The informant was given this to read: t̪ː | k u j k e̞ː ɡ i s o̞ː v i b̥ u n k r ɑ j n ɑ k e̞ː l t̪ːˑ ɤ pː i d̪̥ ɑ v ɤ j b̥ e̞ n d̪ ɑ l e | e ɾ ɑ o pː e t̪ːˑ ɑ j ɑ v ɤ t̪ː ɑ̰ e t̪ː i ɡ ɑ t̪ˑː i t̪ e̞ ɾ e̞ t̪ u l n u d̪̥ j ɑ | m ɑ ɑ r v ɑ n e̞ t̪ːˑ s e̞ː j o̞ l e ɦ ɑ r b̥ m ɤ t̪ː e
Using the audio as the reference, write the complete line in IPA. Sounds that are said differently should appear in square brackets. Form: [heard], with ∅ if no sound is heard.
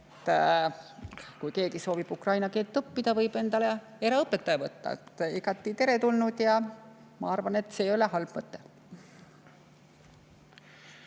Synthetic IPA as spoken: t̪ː | k u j k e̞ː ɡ i s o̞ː v i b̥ u [∅] k r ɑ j n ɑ k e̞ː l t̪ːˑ ɤ pː i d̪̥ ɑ v ɤ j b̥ e̞ n d̪ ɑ l e | e ɾ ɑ [ɤ] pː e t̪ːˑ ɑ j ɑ v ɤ t̪ː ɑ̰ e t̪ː i ɡ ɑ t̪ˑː i t̪ e̞ ɾ e̞ t̪ u l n u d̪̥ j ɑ | m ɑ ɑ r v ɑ n e̞ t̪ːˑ s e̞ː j o̞ l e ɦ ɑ [l] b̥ m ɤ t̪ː e

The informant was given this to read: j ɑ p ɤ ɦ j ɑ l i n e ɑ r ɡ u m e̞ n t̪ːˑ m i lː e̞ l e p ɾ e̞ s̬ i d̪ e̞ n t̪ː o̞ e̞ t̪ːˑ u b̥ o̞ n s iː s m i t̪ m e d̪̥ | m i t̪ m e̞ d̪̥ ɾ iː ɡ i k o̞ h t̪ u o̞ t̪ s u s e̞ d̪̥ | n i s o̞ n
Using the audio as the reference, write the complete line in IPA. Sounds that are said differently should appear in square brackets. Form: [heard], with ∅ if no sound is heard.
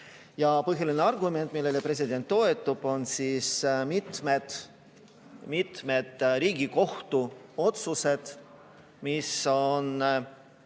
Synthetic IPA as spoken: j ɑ p ɤ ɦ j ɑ l i n e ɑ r ɡ u m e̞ n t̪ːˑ m i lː e̞ l e p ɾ e̞ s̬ i d̪ e̞ n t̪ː o̞ e̞ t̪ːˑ u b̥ o̞ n s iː s m i t̪ m e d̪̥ | m i t̪ m e̞ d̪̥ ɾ iː ɡ i k o̞ h t̪ u o̞ t̪ s u s e̞ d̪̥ | [m] i s o̞ n

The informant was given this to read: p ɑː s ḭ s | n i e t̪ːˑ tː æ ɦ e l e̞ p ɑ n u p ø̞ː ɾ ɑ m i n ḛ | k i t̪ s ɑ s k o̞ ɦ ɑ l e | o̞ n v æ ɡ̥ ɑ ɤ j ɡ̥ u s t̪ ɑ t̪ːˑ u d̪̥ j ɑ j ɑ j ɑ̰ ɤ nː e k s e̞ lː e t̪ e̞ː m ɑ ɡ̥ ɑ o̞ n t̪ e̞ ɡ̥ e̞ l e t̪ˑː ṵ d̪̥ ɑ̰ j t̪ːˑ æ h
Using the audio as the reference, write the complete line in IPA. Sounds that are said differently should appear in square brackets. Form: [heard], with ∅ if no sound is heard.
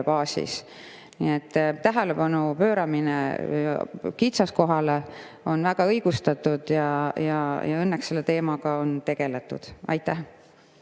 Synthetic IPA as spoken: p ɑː s ḭ s | n i e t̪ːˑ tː æ ɦ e l e̞ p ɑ n u p ø̞ː ɾ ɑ m i n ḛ | k i t̪ s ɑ s k o̞ ɦ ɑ l e | o̞ n v æ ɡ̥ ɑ ɤ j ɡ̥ u s t̪ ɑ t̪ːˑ u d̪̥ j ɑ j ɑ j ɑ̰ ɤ nː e k s e̞ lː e t̪ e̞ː m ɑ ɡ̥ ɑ o̞ n t̪ e̞ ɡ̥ e̞ l e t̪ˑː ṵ d̪̥ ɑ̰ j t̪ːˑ æ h

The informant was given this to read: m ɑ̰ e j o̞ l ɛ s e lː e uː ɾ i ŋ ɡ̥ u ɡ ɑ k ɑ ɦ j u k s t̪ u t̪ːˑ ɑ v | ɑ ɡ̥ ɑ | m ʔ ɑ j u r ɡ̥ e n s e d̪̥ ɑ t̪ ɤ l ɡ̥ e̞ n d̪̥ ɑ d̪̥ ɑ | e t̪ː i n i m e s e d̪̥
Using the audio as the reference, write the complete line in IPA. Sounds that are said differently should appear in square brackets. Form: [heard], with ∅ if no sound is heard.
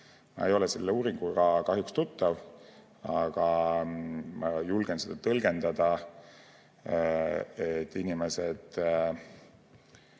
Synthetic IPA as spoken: m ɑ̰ e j o̞ l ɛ s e lː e uː ɾ i ŋ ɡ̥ u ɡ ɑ k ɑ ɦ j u k s t̪ u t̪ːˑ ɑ v | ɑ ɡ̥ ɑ | m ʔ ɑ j u [l] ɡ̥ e n s e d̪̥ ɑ t̪ ɤ l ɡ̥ e̞ n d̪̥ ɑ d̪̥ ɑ | e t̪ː i n i m e s e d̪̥

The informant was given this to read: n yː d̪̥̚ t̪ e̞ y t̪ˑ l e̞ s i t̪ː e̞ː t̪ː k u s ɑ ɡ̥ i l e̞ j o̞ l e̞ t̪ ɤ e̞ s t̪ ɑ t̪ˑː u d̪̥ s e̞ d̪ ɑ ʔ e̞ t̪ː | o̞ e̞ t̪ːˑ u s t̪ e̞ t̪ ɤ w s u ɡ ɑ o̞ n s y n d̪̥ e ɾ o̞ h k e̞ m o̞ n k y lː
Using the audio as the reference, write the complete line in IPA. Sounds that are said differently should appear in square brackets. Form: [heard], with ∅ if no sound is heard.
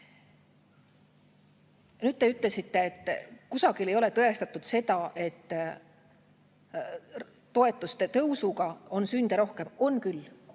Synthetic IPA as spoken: n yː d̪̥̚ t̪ e̞ y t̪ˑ l e̞ s i t̪ː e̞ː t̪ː k u s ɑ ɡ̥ i l e̞ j o̞ l e̞ t̪ ɤ e̞ s t̪ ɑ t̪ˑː u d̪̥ s e̞ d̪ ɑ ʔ e̞ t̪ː | o̞ e̞ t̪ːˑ u s t̪ e̞ t̪ ɤ w s u ɡ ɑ o̞ n s y n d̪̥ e ɾ o̞ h k e̞ m o̞ n k y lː

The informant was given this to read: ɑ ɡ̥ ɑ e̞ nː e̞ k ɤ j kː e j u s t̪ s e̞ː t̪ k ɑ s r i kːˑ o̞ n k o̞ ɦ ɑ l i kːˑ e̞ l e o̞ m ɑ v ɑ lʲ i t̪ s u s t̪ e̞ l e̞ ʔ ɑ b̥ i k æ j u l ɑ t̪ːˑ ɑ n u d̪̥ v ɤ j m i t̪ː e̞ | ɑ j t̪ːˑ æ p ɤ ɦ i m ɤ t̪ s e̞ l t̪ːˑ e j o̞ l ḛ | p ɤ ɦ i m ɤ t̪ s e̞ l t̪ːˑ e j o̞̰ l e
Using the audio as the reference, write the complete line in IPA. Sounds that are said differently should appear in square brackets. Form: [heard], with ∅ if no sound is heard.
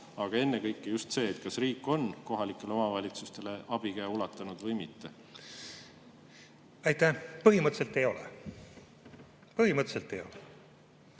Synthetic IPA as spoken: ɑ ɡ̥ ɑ e̞ nː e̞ k ɤ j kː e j u s t̪ s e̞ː t̪ k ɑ s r [iː] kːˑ o̞ n k o̞ ɦ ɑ l i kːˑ e̞ l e o̞ m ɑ v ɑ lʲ i t̪ s u s t̪ e̞ l e̞ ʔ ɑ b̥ i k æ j u l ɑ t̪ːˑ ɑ n u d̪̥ v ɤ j m i t̪ː e̞ | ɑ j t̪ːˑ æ p ɤ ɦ i m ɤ t̪ s e̞ l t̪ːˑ e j o̞ l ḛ | p ɤ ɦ i m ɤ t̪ s e̞ l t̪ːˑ e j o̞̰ l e

